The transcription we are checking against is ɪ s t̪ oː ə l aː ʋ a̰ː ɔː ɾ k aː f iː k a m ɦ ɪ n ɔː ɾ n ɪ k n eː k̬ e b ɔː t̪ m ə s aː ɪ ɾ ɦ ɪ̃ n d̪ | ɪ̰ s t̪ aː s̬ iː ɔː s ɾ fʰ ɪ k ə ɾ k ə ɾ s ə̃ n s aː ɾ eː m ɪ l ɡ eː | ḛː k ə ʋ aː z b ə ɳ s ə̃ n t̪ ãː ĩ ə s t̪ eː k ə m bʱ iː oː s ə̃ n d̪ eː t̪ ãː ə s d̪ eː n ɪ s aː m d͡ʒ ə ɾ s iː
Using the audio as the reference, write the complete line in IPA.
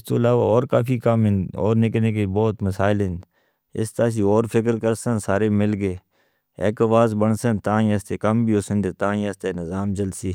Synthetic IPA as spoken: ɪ s t̪ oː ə l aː ʋ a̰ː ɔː ɾ k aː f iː k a m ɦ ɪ n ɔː ɾ n ɪ k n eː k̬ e b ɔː t̪ m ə s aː ɪ l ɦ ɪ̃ n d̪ | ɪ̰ s t̪ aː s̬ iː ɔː ɾ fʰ ɪ k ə ɾ k ə ɾ s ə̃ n s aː ɾ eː m ɪ l ɡ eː | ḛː k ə ʋ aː z b ə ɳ s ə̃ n t̪ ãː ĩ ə s t̪ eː k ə m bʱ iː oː s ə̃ n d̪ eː t̪ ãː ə s t̪ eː n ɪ z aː m d͡ʒ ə l s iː